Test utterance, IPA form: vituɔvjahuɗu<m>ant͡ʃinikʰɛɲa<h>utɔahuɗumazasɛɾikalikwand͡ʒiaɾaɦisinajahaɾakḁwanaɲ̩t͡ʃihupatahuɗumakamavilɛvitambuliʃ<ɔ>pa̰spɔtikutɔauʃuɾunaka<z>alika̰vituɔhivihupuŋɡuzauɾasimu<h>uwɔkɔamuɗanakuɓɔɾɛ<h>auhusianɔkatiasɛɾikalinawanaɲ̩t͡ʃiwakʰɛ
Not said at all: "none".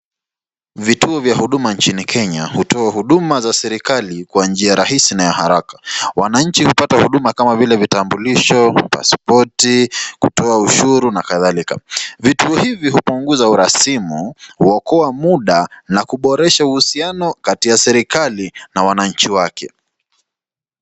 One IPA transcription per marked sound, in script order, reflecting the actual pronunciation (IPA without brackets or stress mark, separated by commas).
m, h, ɔ, ð, h, ʃ